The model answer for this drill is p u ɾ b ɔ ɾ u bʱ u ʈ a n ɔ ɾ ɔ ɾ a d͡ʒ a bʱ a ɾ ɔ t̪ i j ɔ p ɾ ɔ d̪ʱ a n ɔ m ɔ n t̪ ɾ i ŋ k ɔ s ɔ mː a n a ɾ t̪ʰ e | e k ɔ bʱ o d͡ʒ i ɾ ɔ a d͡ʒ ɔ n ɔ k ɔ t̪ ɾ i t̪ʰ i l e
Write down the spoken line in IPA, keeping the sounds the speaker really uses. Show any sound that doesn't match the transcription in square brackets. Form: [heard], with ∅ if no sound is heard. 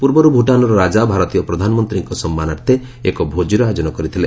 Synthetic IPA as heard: p u ɾ b ɔ ɾ u bʱ u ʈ a n ɔ ɾ ɔ ɾ a d͡ʒ a bʱ a ɾ ɔ t̪ i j ɔ p ɾ ɔ d̪ʱ a n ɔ m ɔ n t̪ ɾ i ŋ k ɔ s ɔ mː a n a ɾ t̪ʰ e | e k ɔ bʱ o d͡ʒ i ɾ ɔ a d͡ʒ ɔ n ɔ k ɔ [∅] ɾ i t̪ʰ i l e